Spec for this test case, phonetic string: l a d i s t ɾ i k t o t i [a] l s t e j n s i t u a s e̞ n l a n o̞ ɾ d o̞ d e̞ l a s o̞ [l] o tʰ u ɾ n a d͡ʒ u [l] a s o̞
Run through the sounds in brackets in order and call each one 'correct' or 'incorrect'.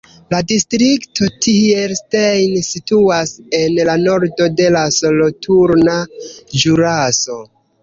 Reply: incorrect: e, correct, incorrect: ɾ

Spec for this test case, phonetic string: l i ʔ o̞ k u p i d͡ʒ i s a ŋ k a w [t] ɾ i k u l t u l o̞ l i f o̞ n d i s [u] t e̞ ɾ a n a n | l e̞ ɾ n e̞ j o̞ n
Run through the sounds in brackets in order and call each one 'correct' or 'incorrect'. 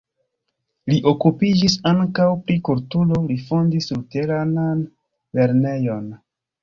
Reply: incorrect: p, correct

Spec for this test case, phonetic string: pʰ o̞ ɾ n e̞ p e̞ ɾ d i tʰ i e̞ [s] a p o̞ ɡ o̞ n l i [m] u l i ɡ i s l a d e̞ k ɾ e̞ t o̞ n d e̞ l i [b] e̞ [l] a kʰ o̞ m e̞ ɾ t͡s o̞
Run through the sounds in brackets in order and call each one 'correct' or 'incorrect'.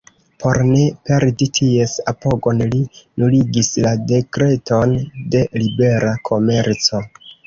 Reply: correct, incorrect: n, correct, incorrect: ɾ

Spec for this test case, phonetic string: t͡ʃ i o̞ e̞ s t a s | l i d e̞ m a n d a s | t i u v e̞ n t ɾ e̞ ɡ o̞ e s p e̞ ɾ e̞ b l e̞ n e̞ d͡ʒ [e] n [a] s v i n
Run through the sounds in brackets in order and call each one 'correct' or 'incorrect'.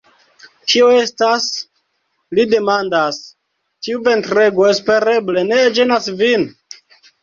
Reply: correct, correct

